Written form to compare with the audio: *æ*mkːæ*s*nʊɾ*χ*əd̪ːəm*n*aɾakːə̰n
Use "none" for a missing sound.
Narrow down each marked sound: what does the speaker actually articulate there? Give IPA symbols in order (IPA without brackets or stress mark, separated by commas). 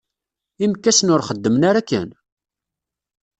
i, s, χ, n